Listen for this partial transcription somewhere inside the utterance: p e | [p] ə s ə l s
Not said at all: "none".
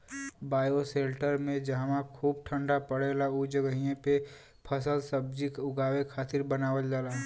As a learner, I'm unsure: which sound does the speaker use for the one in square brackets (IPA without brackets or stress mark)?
pʰ